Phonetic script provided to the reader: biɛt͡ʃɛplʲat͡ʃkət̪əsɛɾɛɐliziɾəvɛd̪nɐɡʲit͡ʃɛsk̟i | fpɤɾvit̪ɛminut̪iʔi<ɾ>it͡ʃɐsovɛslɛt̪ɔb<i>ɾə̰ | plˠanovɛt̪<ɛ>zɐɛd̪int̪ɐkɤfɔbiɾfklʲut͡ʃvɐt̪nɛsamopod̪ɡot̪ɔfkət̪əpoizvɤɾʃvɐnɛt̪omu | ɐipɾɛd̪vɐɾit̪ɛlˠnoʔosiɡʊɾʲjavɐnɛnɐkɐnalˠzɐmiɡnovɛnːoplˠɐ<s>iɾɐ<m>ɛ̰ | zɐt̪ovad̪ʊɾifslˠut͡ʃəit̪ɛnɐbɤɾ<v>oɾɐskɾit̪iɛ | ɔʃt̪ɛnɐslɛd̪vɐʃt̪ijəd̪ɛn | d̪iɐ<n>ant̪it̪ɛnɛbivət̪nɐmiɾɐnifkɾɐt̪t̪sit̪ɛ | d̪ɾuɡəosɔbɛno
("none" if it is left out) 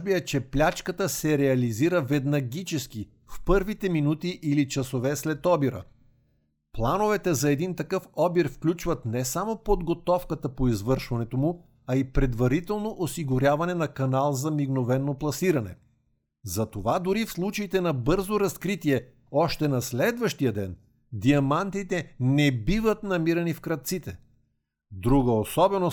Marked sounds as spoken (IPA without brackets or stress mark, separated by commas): l, i, ɛ, s, n, z, m